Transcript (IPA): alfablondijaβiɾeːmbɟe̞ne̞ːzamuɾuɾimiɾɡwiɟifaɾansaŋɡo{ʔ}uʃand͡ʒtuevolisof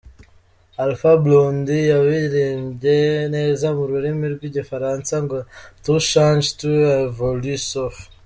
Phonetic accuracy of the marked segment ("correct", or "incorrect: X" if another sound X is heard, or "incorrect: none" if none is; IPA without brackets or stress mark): incorrect: t